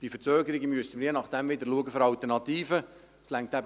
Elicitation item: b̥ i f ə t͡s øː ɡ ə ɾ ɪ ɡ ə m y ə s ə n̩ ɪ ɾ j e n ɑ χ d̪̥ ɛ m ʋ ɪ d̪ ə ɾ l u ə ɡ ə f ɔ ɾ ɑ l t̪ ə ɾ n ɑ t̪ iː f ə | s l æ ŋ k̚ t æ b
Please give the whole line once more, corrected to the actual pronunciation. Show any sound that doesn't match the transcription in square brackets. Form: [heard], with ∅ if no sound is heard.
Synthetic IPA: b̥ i f ə t͡s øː ɡ ə ɾ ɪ ɡ ə m y ə s ə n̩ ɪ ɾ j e n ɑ χ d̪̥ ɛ m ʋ ɪ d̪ ə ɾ l u ə ɡ ə f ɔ ɾ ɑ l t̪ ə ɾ n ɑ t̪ iː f ə | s l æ ŋ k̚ t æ b